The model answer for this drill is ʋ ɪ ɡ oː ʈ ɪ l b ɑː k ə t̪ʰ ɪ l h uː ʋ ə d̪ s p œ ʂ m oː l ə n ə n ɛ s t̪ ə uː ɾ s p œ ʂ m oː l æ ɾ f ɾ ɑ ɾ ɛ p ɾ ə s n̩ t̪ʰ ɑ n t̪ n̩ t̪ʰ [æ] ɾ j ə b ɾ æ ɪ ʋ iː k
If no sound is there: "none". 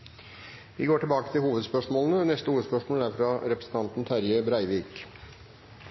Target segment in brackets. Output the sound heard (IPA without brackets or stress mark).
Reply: æ